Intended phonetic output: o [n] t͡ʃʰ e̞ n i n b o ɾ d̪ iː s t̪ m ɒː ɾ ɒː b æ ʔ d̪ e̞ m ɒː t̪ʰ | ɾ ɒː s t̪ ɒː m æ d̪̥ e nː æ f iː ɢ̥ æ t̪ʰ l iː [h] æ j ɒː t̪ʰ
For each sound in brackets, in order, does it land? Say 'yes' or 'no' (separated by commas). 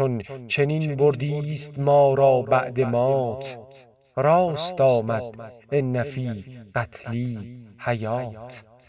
yes, yes